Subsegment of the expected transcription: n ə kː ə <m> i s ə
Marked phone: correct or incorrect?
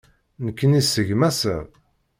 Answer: incorrect